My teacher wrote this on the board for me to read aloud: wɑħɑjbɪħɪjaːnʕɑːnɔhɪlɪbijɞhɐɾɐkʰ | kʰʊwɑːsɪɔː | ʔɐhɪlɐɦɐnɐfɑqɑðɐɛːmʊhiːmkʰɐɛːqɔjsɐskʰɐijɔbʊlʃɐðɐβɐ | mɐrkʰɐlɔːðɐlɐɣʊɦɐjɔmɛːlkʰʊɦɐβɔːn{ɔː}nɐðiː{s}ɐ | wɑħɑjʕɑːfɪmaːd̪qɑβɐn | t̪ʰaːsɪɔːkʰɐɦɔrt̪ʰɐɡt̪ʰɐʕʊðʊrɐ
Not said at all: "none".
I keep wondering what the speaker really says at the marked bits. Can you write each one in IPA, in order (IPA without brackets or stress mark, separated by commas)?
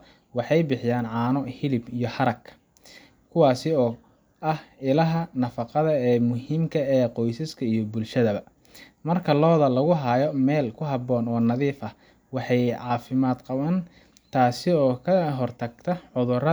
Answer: ɔː, f